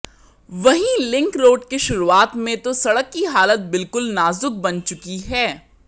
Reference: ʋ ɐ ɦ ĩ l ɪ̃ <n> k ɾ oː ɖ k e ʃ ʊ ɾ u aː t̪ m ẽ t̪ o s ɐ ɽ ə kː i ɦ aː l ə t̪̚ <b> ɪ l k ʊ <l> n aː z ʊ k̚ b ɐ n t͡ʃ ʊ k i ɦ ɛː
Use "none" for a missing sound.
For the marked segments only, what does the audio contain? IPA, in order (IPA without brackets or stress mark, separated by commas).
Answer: ŋ, b, l